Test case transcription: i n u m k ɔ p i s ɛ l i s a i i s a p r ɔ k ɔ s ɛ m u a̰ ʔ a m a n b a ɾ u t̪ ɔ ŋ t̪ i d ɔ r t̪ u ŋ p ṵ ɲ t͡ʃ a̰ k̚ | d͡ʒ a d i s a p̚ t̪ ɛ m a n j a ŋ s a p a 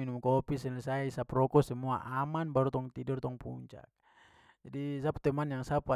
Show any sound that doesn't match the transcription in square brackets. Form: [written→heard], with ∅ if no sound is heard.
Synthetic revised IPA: i n u m k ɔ p i s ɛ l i s a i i s a p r ɔ k ɔ s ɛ m u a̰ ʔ a m a n b a ɾ u t̪ ɔ ŋ t̪ i d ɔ r t̪ [u→ɔ] ŋ p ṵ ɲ t͡ʃ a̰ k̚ | d͡ʒ a d i s a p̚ t̪ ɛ m a n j a ŋ s a p a